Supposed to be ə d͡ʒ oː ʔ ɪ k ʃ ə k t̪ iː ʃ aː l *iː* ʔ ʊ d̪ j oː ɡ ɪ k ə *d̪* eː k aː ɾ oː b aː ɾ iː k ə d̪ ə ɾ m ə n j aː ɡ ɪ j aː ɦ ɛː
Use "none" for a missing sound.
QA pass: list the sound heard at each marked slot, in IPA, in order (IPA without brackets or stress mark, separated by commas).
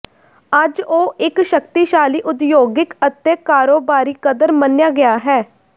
iː, t̪